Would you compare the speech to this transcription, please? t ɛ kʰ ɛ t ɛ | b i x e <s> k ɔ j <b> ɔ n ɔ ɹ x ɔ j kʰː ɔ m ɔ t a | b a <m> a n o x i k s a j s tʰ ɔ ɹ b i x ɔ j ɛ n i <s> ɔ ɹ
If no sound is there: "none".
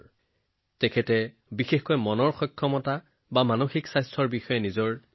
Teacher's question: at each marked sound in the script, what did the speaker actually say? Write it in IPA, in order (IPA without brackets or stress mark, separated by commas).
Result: x, m, m, z